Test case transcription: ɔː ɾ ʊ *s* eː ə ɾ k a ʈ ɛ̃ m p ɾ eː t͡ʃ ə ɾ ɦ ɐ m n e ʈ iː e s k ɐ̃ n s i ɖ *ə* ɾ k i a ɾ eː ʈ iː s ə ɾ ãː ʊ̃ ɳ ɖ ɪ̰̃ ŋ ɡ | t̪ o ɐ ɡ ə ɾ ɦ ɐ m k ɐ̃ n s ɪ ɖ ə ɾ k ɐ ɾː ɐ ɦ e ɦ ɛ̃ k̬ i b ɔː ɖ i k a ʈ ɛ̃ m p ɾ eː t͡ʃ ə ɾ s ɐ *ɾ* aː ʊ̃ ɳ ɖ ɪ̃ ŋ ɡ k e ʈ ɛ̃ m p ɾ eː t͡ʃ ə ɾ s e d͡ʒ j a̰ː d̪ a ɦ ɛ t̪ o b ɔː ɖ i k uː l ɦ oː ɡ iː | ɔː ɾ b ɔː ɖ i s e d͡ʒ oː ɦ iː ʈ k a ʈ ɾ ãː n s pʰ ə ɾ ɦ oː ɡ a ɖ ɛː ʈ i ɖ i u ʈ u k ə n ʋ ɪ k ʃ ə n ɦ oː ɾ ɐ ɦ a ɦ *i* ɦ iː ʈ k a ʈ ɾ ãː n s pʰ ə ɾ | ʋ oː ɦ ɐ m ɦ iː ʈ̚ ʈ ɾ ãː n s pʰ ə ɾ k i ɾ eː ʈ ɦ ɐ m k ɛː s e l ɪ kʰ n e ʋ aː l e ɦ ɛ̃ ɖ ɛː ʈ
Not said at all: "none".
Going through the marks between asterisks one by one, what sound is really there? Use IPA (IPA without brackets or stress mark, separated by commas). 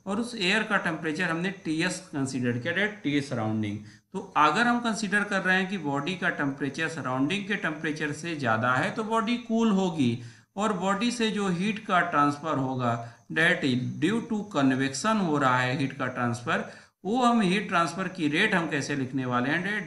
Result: s, ə, ɾ, ɛ